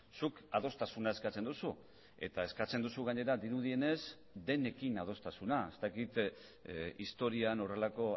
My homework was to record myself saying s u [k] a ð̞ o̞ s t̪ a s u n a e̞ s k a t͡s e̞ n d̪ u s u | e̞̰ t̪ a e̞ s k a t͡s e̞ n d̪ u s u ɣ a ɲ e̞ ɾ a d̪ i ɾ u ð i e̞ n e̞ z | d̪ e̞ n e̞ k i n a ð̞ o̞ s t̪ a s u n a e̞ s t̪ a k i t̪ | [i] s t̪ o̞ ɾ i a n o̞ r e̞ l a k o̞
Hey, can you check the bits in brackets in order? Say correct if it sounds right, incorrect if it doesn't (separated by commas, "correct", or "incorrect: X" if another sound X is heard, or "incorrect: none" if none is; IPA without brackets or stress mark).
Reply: correct, correct